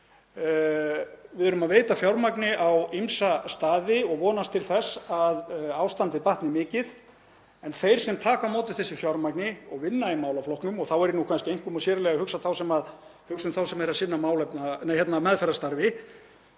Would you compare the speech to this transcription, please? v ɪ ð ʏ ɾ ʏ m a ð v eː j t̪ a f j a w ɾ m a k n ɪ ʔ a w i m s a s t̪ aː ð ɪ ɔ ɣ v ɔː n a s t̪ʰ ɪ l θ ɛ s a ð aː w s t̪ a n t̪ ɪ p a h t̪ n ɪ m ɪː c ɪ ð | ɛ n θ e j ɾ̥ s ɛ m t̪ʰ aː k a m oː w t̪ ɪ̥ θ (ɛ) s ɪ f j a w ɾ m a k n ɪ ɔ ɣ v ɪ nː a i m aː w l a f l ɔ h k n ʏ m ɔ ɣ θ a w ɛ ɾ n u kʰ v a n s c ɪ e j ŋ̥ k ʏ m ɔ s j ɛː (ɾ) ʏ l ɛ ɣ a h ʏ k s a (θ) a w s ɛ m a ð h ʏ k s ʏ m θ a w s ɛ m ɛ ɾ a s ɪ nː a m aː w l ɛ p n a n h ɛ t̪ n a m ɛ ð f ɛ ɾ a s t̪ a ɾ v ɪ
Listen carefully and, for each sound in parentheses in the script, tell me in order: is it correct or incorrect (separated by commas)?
correct, correct, correct